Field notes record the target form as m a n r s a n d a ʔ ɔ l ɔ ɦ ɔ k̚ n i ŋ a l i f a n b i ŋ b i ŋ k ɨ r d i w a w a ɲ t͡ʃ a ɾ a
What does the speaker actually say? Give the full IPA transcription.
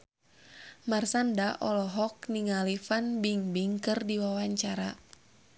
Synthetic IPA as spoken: m a r s a n d a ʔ ɔ l ɔ ɦ ɔ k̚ n i ŋ a l i f a n b i ŋ b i ŋ k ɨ r d i w a w a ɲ t͡ʃ a ɾ a